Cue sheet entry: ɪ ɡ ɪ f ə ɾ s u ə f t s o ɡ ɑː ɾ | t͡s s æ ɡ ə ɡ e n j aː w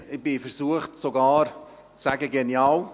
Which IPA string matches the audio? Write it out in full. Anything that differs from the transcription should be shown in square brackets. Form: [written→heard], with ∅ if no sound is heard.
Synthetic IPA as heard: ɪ [ɡ→b] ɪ f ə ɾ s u ə [f→χ] t s o ɡ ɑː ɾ | t͡s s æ ɡ ə ɡ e n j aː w